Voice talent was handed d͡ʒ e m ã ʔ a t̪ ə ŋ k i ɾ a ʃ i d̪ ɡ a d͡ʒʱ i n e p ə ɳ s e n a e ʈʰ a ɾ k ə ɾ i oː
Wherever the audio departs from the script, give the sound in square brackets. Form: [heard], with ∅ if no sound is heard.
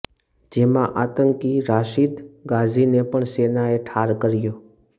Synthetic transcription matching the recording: d͡ʒ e m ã ʔ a t̪ ə ŋ k i ɾ a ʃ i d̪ ɡ a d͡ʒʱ i n e p ə ɳ s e n a e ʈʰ a ɾ k ə ɾ [j] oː

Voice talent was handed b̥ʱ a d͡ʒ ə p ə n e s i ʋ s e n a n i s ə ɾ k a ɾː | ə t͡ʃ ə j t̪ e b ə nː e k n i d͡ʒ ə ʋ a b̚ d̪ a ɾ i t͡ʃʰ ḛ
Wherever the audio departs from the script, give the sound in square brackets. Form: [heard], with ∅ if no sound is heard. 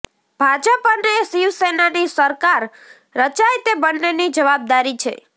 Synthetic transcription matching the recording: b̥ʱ a d͡ʒ ə p ə n e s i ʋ s e n a n i s ə ɾ k a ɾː | ə t͡ʃ [a] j t̪ e b ə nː e [∅] n i d͡ʒ ə ʋ a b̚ d̪ a ɾ i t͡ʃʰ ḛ

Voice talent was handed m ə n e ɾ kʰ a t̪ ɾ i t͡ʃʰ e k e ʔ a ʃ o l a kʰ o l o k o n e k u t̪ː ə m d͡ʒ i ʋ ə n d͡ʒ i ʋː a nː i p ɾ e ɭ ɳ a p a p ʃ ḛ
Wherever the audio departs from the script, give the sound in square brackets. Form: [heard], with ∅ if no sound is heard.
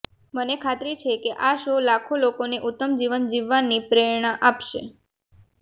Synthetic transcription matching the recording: m ə n e [∅] kʰ a t̪ ɾ i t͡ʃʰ e k e ʔ a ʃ o l a kʰ o l o k o n e [ʔ] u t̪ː ə m d͡ʒ i ʋ ə n d͡ʒ i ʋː a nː i p ɾ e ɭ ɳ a [ʔ] a p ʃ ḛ

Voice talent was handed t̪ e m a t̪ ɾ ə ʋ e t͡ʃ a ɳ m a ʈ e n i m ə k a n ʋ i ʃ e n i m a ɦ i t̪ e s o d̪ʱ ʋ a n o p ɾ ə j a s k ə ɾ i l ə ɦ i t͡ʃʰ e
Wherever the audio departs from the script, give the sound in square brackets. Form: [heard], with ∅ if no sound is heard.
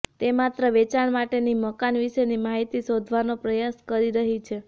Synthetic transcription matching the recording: t̪ e m a t̪ ɾ ə ʋ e t͡ʃ a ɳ m a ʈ e n i m ə k a n ʋ i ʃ e n i m a ɦ i t̪ [i] s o d̪ʱ ʋ a n o p ɾ ə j a s k ə ɾ i [ɾ] ə ɦ i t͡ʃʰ e

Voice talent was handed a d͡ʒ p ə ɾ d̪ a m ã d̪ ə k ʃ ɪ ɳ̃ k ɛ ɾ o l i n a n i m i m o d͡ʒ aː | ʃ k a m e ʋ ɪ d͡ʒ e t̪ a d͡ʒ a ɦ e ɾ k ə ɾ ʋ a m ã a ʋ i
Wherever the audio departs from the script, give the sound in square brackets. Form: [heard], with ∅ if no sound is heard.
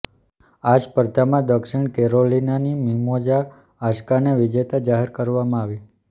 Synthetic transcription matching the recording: a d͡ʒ p ə ɾ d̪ a m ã d̪ ə k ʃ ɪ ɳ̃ k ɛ ɾ o l i n a n i m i m o d͡ʒ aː | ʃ k a [n] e ʋ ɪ d͡ʒ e t̪ a d͡ʒ a ɦ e ɾ k ə ɾ ʋ a m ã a ʋ i

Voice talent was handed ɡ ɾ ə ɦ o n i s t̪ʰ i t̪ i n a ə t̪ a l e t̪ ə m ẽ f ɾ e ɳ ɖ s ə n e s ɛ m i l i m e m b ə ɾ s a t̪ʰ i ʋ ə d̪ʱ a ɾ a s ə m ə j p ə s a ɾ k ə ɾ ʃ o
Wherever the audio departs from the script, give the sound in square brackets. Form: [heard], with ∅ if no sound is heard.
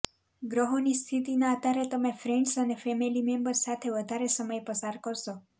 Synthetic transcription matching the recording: ɡ ɾ ə ɦ o n i s t̪ʰ i t̪ i n a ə t̪ a [ɾ] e t̪ ə m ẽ f ɾ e ɳ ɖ s ə n e [f] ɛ m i l i m e m b ə ɾ s a t̪ʰ [e] ʋ ə d̪ʱ a ɾ [e] s ə m ə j p ə s a ɾ k ə ɾ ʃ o

